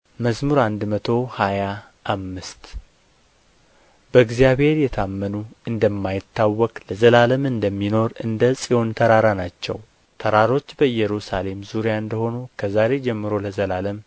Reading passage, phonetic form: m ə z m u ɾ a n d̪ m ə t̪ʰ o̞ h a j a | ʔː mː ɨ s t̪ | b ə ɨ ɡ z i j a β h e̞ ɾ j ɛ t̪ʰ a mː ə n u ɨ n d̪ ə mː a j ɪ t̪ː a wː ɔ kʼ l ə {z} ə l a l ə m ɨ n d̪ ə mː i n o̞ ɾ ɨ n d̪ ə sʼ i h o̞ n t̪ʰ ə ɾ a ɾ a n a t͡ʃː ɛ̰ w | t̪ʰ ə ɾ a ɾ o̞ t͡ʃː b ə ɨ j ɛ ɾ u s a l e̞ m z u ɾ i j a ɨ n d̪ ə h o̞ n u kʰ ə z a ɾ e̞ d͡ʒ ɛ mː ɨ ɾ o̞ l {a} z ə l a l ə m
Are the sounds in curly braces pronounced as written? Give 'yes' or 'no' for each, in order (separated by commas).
yes, no